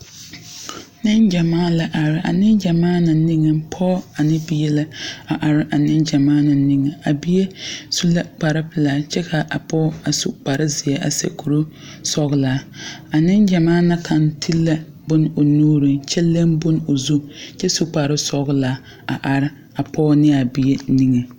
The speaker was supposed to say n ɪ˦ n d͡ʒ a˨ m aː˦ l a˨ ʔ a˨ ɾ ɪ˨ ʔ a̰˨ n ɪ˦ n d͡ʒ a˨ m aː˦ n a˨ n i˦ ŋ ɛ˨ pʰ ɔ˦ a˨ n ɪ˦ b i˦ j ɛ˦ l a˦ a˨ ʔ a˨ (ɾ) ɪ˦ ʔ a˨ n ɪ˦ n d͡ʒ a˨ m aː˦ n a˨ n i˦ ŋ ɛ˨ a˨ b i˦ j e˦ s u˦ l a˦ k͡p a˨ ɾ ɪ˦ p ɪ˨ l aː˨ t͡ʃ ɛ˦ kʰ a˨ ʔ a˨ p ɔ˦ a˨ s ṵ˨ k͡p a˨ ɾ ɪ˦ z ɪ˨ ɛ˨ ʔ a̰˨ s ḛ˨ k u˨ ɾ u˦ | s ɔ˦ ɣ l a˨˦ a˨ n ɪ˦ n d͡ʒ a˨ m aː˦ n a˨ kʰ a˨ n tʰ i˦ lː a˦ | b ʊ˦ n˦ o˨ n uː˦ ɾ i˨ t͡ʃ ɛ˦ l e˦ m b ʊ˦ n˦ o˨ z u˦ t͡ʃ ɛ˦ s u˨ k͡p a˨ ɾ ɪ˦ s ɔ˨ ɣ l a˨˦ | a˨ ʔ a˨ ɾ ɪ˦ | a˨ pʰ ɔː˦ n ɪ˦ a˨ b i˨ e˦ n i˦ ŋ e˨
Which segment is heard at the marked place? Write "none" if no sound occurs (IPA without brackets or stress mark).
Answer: ɾ